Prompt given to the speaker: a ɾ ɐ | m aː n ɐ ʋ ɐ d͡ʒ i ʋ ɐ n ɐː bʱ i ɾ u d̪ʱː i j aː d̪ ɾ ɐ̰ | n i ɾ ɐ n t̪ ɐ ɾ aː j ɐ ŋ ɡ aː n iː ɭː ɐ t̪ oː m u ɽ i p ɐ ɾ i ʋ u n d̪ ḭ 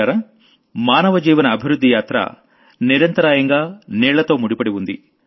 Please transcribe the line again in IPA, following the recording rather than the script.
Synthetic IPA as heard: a ɾ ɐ | m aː n ɐ ʋ ɐ d͡ʒ iː ʋ ɐ n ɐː bʱ i ɾ u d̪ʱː i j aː t̪ ɾ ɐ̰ | n i ɾ ɐ n t̪ ɐ ɾ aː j ɐ ŋ ɡ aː n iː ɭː ɐ t̪ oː m u ɽ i p ɐ ɽ i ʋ u n d̪ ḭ